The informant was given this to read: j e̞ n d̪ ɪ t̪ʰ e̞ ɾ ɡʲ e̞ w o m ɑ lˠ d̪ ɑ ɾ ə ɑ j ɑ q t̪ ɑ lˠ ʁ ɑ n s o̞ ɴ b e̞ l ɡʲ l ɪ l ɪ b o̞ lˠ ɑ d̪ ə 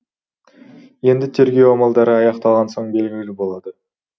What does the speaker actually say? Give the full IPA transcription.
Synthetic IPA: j e̞ n d̪ ɪ t̪ʰ e̞ ɾ ɡʲ e̞ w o m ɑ lˠ d̪ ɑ ɾ ə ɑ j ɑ q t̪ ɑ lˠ ʁ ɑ n s o̞ ɴ b e̞ l ɡʲ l ɪ l ɪ b o̞ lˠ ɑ d̪ ə